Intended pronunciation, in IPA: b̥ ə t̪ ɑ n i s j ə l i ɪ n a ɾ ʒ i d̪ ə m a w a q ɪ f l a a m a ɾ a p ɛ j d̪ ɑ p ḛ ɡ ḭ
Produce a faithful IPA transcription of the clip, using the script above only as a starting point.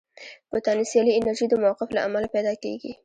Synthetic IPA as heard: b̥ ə t̪ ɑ n i s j ɑ l i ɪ n a ɾ ʒ i d̪ ə m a w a q ɪ f l a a m a l a p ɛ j d̪ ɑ k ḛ ɡ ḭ